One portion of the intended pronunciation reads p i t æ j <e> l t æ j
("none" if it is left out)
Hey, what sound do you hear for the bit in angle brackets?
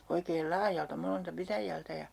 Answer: æ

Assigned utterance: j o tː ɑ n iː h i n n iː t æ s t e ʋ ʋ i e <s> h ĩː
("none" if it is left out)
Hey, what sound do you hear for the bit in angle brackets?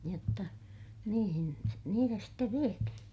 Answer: t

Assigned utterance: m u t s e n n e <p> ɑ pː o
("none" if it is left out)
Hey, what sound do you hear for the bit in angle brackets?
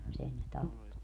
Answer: t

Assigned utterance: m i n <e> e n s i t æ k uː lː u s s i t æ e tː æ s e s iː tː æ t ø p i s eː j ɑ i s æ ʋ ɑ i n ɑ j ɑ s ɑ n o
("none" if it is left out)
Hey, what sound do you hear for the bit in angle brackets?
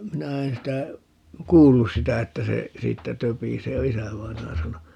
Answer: æ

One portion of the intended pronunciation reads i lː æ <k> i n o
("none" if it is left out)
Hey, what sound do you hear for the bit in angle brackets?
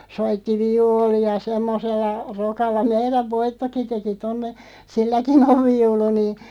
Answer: k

